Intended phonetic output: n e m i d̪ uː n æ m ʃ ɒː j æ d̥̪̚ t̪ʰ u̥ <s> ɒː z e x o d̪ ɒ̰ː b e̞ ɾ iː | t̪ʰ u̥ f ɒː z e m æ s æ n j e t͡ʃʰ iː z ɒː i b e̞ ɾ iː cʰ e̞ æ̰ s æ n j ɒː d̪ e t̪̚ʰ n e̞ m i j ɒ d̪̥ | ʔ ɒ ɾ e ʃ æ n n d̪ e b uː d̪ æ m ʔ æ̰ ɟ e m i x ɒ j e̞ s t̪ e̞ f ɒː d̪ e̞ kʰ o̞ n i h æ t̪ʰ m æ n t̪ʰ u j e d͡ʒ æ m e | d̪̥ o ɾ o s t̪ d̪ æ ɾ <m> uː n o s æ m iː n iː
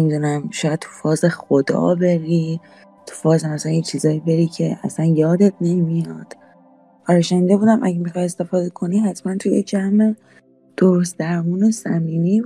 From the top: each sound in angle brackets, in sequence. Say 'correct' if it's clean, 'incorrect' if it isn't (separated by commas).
incorrect, correct